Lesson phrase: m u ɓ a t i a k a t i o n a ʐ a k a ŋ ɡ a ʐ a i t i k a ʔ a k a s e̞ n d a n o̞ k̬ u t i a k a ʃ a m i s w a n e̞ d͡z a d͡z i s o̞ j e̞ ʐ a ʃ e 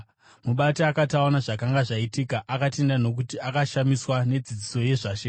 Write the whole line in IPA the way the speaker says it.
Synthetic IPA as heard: m u ɓ a t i a k a t a o n a ʐ a k a ŋ ɡ a ʐ a i t i k a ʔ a k a t e̞ n d a n o̞ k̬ u t i a k a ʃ a m i s w a n e̞ d͡z i d͡z i s o̞ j e̞ ʐ a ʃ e